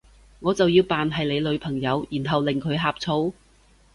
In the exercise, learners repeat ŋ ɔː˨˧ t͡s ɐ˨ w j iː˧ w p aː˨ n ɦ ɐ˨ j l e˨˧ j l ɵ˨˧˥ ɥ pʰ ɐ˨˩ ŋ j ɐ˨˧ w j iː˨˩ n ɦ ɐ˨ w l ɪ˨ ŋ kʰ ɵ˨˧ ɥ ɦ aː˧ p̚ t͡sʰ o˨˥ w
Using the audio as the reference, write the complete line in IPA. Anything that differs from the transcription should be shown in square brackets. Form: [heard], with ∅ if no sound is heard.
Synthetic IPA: ŋ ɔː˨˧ t͡s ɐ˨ w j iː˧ w p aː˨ n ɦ ɐ˨ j l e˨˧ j l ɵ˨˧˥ ɥ pʰ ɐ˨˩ ŋ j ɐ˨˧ w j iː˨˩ n ɦ ɐ˨ w l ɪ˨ ŋ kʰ ɵ˨˧ ɥ ɦ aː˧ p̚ t͡sʰ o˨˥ w